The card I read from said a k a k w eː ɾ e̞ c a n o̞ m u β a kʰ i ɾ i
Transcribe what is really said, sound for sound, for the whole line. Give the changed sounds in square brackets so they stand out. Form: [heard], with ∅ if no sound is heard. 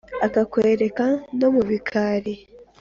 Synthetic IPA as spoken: a k a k w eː ɾ e̞ [k] a n o̞ m u β [i] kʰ [a] ɾ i